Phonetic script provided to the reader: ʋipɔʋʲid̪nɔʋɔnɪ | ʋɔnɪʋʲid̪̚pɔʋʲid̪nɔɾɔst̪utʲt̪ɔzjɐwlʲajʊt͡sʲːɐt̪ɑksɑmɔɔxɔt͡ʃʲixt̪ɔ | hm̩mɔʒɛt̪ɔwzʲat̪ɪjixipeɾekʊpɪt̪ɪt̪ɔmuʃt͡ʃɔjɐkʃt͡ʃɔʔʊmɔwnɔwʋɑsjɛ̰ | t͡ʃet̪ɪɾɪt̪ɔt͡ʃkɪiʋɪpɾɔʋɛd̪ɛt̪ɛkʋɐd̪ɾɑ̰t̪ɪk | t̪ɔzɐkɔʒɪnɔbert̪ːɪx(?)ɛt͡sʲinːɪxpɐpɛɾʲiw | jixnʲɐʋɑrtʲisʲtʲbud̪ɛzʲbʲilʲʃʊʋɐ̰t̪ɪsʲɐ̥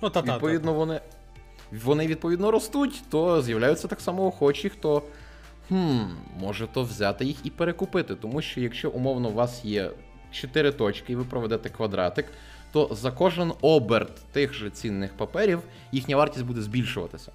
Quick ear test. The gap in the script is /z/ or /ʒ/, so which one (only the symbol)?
ʒ